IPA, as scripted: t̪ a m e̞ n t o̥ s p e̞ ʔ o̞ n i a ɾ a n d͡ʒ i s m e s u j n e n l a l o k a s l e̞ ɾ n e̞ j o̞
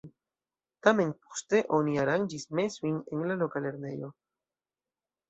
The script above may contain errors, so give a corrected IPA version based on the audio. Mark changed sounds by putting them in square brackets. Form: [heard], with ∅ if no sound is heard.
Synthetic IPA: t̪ a m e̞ n [p] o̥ s [t] e̞ ʔ o̞ n i a ɾ a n d͡ʒ i s m e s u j n e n l a l o k a [∅] l e̞ ɾ n e̞ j o̞